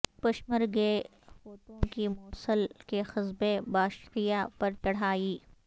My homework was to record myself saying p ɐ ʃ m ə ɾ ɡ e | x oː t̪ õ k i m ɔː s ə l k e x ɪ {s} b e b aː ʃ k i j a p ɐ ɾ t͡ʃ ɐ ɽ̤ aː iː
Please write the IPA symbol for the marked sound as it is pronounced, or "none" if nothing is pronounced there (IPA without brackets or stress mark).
z